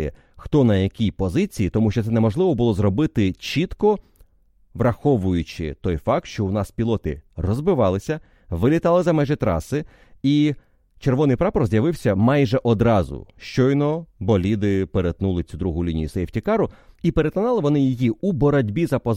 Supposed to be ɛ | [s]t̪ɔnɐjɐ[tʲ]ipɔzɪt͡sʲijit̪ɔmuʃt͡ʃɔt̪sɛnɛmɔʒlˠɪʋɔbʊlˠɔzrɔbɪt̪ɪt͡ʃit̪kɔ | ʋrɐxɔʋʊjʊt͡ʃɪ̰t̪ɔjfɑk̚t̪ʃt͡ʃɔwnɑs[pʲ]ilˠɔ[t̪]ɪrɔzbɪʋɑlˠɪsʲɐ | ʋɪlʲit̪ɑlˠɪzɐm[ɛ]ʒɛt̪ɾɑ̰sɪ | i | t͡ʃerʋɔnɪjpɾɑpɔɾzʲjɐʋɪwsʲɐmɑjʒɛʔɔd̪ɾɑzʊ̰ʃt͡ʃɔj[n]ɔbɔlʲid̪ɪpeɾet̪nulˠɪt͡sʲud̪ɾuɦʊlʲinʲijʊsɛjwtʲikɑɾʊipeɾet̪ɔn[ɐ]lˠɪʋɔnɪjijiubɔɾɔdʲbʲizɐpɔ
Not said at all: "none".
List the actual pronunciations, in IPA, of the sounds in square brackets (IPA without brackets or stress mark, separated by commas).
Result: x, kʲ, pʲ, t̪, ɛ, n, ɑ